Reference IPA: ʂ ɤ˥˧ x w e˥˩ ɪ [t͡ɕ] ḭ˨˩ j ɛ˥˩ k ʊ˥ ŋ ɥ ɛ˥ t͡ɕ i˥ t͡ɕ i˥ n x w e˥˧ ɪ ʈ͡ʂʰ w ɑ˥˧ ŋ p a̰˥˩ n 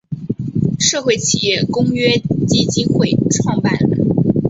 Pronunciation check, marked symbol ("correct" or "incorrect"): incorrect